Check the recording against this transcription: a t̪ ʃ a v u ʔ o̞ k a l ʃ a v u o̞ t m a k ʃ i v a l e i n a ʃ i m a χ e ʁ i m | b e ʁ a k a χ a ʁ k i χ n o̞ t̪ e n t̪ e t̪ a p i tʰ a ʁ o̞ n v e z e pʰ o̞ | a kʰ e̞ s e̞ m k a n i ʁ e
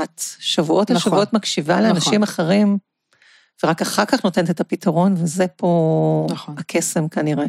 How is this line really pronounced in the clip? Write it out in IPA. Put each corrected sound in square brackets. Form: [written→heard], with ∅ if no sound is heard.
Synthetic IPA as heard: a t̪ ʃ a v u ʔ o̞ [k→t] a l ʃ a v u o̞ t m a k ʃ i v a l e [i→a] n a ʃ i m a χ e ʁ i m | [b→v] e ʁ a k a χ a ʁ k [i→a] χ n o̞ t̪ e n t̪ e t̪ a p i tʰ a ʁ o̞ n v e z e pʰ o̞ | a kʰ e̞ s e̞ m k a n i ʁ e